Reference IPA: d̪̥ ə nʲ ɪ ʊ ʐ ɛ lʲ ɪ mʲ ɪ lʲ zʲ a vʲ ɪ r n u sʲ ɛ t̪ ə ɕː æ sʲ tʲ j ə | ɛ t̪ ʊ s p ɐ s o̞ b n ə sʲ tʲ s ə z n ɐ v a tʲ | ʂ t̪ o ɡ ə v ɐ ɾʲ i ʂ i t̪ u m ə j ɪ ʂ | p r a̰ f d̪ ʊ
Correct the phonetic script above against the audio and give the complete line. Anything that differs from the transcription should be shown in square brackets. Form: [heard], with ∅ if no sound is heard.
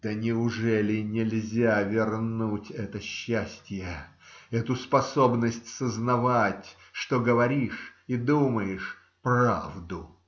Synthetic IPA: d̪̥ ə nʲ ɪ ʊ ʐ ɛ lʲ ɪ [nʲ] ɪ lʲ zʲ a vʲ ɪ r n u [tʲ] ɛ t̪ ə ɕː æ sʲ tʲ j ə | ɛ t̪ ʊ s p ɐ s o̞ b n ə sʲ tʲ s ə z n ɐ v a tʲ | ʂ t̪ o ɡ ə v ɐ ɾʲ i ʂ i [d̪] u m ə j ɪ ʂ | p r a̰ [v] d̪ ʊ